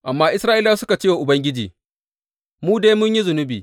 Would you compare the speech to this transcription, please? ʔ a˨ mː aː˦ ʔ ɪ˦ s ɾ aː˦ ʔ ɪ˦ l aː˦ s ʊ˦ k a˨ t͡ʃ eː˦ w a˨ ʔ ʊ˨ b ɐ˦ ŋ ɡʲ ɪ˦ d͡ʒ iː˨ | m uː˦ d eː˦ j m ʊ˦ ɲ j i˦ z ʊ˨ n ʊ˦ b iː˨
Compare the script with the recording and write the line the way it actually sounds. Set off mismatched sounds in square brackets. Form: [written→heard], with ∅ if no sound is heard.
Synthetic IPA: ʔ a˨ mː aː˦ ʔ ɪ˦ s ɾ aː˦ ʔ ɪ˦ l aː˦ s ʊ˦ k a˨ t͡ʃ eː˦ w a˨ ʔ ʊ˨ b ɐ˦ ŋ ɡʲ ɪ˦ d͡ʒ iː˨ | m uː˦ d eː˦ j m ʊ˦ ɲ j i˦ z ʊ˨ n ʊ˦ b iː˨

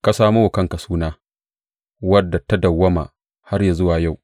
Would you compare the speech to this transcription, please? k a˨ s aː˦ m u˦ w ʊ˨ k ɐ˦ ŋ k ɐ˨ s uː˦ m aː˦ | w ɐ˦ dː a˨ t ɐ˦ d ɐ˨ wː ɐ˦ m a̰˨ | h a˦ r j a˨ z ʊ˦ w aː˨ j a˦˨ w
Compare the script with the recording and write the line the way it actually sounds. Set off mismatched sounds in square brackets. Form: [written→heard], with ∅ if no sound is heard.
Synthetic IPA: k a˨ s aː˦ m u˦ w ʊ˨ k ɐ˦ ŋ k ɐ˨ s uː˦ [m→n] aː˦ | w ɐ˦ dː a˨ t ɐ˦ d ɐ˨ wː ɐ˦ m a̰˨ | h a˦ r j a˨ z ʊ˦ w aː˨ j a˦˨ w

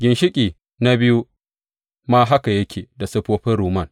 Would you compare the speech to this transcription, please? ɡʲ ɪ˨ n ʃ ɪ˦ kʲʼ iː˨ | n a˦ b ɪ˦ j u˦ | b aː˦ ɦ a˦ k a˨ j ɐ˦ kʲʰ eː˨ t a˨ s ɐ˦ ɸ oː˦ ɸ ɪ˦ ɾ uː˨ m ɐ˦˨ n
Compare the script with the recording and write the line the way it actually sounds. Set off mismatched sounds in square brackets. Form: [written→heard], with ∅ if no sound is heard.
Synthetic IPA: ɡʲ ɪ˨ n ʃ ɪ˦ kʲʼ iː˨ | n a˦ b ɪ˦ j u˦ | [b→m] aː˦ ɦ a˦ k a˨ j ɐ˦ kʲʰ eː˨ [t→d] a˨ s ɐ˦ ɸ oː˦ ɸ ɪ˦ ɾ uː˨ m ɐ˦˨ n

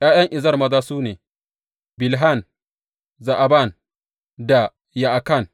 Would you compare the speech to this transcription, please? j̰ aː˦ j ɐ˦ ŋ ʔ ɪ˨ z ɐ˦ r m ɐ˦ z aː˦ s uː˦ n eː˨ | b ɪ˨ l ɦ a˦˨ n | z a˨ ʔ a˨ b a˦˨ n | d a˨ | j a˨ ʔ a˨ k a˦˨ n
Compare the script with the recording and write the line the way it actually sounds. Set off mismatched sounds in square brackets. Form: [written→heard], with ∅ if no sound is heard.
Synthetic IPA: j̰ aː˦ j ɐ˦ ŋ ʔ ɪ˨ z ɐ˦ r m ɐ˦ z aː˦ s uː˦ n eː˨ | b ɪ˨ l ɦ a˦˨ n | z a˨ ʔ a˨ b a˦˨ n | d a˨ | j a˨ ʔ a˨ k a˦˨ n

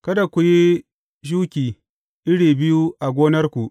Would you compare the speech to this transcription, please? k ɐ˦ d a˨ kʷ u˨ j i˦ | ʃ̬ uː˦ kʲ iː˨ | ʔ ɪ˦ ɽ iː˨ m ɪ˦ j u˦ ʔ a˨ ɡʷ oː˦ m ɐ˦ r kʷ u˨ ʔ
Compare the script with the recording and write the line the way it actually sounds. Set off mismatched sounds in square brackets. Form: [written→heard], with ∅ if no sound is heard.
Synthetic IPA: k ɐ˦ d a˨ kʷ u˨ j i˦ | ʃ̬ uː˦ kʲ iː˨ | ʔ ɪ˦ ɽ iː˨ [m→b] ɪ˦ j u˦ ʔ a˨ ɡʷ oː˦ [m→n] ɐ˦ r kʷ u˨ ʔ

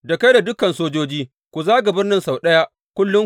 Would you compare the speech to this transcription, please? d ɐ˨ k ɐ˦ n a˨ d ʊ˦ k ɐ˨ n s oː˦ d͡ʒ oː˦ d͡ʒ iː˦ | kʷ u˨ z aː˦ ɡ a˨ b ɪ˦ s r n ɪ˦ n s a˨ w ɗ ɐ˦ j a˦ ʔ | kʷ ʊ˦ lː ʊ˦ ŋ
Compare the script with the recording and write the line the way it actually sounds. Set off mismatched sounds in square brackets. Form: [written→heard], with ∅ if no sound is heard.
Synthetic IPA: d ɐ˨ k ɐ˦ [n→d] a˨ d ʊ˦ k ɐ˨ n s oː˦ d͡ʒ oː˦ d͡ʒ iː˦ | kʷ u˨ z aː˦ ɡ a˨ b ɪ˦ [s→∅] r n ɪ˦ n s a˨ w ɗ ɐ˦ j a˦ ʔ | kʷ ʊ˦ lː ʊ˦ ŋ

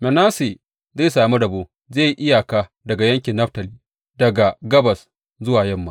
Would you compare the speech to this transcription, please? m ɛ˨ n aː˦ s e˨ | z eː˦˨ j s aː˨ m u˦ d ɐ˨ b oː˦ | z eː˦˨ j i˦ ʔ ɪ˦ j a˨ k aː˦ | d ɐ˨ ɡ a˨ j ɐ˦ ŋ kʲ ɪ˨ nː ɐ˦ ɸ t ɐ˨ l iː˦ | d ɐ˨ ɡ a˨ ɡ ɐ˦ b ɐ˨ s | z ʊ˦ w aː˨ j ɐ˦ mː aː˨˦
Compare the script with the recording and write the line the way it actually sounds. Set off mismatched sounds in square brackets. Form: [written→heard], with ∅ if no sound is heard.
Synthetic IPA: m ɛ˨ n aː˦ s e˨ | z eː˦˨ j s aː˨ m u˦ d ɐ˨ b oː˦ | z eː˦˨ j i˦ ʔ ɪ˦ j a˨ k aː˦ | d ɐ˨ ɡ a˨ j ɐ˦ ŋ kʲ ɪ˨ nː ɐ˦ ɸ t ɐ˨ l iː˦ | d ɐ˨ ɡ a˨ ɡ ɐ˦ b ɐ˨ s | z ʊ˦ w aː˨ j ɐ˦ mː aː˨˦

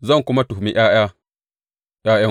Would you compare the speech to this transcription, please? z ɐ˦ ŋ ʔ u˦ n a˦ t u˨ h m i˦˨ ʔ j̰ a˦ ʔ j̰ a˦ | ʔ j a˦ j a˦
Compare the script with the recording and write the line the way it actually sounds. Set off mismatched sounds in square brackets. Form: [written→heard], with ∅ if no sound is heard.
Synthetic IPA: z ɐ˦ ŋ [ʔ→k] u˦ [n→m] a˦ t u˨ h m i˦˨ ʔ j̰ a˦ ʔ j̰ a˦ | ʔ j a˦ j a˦

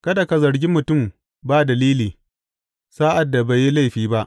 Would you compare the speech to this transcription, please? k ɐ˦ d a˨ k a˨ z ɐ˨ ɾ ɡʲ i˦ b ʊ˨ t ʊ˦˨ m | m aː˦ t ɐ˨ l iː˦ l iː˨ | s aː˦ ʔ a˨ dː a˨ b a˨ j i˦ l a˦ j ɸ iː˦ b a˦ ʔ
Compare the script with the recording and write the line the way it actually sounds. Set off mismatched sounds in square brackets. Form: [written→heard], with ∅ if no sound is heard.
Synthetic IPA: k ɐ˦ d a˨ k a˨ z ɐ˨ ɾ ɡʲ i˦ [b→m] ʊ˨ t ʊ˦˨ m | [m→b] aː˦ [t→d] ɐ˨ l iː˦ l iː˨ | s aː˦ ʔ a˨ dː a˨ b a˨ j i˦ l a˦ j ɸ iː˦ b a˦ ʔ

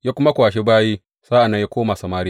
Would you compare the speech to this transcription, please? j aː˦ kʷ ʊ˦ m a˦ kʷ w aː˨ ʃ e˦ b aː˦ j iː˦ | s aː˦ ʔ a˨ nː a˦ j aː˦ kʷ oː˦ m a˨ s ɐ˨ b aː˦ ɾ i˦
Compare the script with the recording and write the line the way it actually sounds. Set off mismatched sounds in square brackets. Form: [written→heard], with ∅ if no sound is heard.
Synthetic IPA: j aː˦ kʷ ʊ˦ m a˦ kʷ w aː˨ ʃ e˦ b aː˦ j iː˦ | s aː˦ ʔ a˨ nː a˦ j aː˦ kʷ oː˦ m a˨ s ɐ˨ [b→m] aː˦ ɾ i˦

